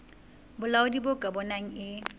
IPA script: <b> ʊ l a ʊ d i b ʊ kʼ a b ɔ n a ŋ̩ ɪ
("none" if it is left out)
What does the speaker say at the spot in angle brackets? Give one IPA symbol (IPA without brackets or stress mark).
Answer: b